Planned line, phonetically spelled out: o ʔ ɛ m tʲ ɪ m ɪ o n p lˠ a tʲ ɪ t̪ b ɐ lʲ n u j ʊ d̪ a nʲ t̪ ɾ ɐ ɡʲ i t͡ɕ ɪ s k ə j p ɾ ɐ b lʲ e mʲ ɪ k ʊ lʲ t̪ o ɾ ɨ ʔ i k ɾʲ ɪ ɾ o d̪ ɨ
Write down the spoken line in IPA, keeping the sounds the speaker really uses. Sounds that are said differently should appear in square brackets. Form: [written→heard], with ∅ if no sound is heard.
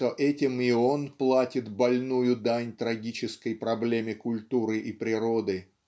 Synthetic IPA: o ʔ ɛ [m→∅] tʲ ɪ m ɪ o n p lˠ a tʲ ɪ t̪ b ɐ lʲ n u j ʊ d̪ a nʲ t̪ ɾ ɐ ɡʲ i t͡ɕ ɪ s k ə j p ɾ ɐ b lʲ e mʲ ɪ k ʊ lʲ t̪ [o→u] ɾ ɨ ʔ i [k→p] ɾʲ ɪ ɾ o d̪ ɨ